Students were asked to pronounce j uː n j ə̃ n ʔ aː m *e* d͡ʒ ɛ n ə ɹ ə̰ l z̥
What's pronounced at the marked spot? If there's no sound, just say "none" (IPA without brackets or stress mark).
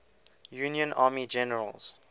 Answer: i